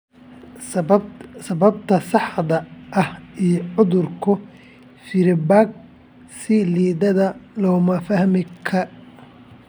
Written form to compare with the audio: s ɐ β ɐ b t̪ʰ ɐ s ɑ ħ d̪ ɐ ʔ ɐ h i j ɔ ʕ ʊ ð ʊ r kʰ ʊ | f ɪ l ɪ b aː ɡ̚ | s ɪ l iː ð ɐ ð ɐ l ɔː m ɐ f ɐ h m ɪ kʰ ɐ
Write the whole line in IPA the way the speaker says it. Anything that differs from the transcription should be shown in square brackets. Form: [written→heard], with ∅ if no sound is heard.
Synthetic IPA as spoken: s ɐ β ɐ b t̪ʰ ɐ s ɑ ħ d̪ ɐ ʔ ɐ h i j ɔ ʕ ʊ ð ʊ r kʰ ʊ | f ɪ [l→ɾ] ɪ b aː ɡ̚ | s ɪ l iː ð ɐ ð ɐ l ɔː m ɐ f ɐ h m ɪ kʰ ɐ